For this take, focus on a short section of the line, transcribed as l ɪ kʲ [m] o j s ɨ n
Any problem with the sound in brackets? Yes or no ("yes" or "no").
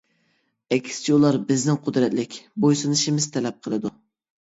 yes